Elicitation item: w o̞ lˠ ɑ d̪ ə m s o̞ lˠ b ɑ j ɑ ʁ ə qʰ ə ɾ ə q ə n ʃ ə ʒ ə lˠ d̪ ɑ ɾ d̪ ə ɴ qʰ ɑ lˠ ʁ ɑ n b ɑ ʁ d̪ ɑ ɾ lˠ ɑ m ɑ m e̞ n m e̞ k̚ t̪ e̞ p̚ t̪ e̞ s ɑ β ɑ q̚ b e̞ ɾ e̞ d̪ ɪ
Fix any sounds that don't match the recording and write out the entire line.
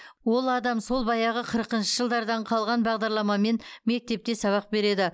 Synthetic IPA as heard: w o̞ lˠ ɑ d̪ ɑ m s o̞ lˠ b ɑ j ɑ ʁ ə qʰ ə ɾ ə q ə n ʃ ə ʒ ə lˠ d̪ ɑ ɾ d̪ ɑ ɴ qʰ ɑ lˠ ʁ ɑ n b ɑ ʁ d̪ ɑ ɾ lˠ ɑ m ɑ m e̞ n m e̞ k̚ t̪ e̞ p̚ t̪ e̞ s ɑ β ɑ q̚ b e̞ ɾ e̞ d̪ ɪ